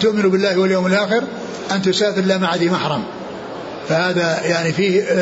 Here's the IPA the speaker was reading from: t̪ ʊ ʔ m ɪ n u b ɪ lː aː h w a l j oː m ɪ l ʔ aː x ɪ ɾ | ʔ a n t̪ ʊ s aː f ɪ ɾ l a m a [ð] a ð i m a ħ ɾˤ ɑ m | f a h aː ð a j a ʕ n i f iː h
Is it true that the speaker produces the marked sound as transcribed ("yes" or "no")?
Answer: no